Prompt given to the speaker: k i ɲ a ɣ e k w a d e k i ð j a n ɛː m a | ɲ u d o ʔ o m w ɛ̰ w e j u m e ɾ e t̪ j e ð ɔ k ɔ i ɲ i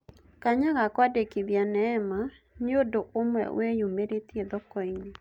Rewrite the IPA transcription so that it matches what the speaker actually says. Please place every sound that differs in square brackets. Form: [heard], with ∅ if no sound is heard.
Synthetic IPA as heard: k [a] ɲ a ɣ [a] k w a d e k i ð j a n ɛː m a | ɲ [o] d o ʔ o m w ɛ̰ w e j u m e ɾ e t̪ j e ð ɔ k ɔ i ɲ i